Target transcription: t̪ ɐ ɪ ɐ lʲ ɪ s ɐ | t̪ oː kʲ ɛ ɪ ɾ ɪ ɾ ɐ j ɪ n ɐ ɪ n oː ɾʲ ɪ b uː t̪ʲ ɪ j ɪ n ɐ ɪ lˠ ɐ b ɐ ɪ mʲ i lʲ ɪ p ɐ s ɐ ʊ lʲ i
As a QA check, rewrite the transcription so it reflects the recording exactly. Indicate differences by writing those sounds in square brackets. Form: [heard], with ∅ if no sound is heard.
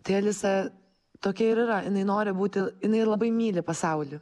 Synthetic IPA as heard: t̪ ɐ ɪ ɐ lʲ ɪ s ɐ | t̪ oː kʲ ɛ ɪ ɾ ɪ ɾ ɐ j ɪ n ɐ ɪ n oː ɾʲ ɪ b uː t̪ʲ ɪ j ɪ n ɐ ɪ lˠ ɐ b ɐ ɪ mʲ [iː] lʲ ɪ p ɐ s ɐ ʊ lʲ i